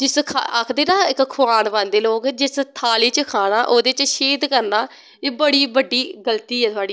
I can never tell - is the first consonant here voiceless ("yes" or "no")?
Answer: no